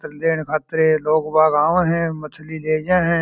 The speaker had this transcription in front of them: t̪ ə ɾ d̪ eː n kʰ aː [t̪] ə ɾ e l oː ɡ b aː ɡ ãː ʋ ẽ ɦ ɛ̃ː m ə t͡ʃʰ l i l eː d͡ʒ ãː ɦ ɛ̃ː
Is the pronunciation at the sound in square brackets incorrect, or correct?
correct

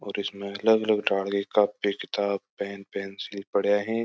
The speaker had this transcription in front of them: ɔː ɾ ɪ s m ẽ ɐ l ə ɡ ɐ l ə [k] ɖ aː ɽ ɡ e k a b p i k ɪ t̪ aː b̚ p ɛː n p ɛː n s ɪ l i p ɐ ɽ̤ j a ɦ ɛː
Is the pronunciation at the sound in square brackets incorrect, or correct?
incorrect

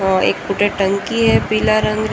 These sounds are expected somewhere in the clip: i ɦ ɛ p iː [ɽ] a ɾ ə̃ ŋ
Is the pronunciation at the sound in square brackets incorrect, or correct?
incorrect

